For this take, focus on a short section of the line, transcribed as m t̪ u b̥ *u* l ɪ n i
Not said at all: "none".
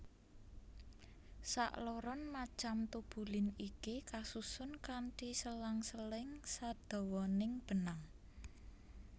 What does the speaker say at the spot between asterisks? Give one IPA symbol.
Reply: u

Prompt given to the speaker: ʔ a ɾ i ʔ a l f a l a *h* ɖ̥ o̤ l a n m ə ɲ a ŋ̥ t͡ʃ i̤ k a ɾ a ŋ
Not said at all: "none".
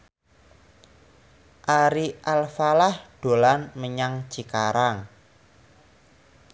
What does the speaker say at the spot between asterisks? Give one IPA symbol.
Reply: h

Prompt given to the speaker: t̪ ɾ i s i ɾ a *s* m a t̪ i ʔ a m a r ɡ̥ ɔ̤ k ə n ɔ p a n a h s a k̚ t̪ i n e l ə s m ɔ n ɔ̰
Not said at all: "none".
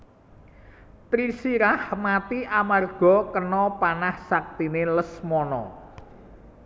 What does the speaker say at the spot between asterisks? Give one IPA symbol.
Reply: h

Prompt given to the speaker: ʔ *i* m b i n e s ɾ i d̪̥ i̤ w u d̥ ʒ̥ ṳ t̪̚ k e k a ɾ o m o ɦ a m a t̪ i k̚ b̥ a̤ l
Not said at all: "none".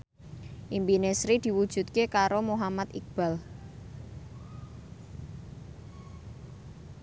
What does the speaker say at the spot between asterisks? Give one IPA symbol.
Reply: i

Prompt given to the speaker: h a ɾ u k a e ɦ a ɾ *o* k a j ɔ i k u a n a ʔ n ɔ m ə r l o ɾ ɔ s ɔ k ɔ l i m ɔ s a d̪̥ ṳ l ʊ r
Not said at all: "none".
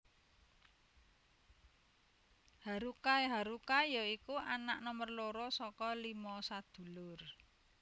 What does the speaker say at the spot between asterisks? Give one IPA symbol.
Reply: u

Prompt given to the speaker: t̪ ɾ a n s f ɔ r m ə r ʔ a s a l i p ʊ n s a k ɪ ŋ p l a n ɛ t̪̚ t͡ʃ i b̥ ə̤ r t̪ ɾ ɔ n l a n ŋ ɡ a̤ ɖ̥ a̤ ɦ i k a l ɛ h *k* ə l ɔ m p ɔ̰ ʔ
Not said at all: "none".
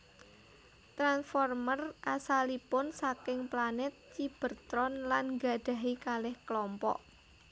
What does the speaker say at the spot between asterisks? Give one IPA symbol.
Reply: k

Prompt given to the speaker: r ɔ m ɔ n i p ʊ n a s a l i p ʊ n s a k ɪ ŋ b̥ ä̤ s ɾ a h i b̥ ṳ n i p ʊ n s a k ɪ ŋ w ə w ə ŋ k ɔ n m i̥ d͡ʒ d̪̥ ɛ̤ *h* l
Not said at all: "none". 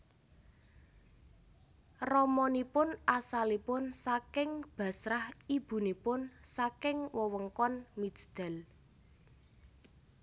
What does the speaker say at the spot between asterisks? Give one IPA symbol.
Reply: none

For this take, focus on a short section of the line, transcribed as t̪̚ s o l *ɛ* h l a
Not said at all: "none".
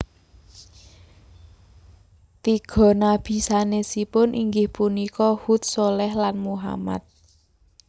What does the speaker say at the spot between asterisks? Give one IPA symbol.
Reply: ɛ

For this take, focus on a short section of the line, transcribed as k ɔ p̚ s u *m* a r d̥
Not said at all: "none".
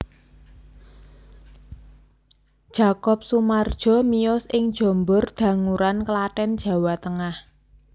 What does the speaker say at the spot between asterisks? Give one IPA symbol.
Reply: m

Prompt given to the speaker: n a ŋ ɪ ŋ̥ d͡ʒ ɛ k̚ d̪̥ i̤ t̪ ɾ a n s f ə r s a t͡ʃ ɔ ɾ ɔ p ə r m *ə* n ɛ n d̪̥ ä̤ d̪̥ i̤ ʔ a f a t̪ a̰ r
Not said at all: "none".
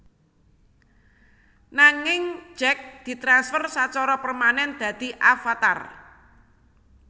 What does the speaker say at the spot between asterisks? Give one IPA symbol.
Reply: a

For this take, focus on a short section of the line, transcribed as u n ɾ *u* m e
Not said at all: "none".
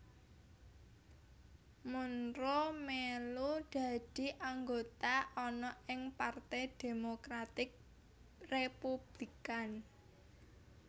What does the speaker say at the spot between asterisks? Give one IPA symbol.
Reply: o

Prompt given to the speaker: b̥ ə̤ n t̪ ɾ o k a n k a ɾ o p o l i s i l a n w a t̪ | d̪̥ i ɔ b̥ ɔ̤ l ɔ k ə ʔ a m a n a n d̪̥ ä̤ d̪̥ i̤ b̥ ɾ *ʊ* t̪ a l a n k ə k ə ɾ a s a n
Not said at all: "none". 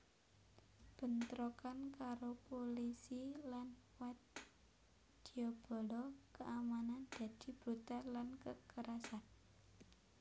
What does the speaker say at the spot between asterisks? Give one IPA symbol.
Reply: u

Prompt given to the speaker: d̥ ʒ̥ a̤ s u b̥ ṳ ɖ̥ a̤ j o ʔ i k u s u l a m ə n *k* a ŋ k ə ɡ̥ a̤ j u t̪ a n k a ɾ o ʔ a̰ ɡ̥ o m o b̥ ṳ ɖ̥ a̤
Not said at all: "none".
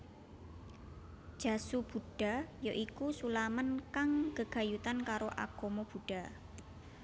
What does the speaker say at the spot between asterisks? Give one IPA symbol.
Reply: k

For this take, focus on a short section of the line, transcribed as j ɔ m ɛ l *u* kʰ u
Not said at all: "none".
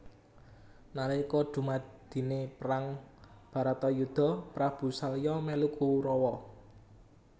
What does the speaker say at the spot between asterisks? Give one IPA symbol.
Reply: u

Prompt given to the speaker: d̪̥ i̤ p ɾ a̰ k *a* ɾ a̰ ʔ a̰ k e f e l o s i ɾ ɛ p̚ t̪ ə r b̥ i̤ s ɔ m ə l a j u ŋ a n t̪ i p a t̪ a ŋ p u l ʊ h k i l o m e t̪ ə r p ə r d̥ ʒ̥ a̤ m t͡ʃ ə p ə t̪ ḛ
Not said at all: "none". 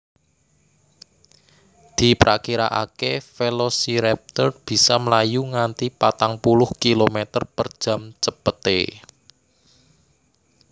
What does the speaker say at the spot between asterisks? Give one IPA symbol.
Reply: i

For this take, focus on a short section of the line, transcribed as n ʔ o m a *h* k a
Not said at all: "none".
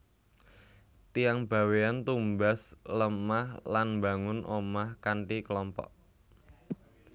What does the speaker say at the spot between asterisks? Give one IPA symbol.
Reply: h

